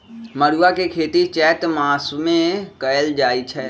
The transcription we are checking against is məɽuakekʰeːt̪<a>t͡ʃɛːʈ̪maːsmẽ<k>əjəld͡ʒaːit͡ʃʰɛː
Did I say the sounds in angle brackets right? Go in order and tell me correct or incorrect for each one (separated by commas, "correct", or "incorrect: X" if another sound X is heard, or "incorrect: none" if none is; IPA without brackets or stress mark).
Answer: incorrect: i, correct